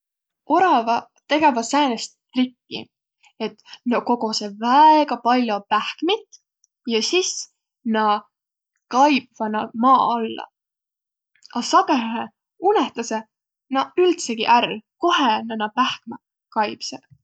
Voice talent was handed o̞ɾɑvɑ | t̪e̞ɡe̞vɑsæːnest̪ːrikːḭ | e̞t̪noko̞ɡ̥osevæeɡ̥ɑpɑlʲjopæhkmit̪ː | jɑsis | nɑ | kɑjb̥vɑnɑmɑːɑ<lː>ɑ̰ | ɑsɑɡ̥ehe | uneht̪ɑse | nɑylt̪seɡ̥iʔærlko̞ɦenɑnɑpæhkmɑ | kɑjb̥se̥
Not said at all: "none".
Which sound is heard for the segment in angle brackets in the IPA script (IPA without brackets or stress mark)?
lː